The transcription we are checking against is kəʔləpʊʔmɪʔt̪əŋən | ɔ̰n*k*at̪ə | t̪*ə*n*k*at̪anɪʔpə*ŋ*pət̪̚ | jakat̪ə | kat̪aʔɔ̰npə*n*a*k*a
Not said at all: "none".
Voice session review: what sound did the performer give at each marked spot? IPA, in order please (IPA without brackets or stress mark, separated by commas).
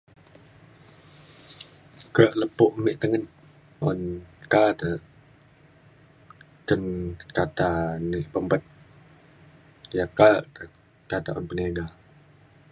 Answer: k, ə, k, m, n, ɡ